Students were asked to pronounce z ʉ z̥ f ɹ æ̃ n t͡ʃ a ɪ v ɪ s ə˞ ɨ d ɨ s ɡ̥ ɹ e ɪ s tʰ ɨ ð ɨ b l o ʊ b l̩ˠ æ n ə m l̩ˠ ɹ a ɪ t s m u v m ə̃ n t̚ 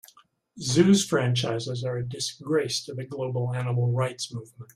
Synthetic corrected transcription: z ʉ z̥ f ɹ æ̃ n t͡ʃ a ɪ z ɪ z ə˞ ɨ d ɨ s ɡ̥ ɹ e ɪ s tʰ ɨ ð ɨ ɡ l o ʊ b l̩ˠ æ n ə m l̩ˠ ɹ a ɪ t s m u v m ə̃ n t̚